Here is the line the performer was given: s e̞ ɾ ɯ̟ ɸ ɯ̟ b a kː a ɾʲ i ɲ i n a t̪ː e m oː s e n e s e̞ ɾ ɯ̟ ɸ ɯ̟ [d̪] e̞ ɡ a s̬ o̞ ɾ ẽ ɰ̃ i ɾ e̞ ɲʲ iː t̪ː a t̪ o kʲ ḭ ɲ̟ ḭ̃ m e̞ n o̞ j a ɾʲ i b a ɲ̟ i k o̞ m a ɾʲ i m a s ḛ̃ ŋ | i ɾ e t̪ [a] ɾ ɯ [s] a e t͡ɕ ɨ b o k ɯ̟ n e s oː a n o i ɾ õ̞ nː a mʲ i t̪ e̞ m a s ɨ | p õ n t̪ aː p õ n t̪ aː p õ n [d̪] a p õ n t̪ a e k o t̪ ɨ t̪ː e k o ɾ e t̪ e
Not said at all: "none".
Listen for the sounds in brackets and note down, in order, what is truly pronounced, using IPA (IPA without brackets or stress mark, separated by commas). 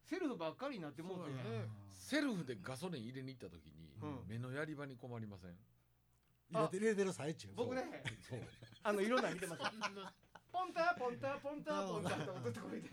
d̪, e, s, t̪